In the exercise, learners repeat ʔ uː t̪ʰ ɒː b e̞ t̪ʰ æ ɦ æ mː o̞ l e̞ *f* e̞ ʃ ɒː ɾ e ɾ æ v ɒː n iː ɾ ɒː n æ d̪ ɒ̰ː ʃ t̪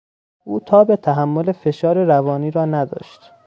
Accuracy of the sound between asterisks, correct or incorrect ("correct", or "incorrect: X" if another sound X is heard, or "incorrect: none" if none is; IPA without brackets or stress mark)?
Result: correct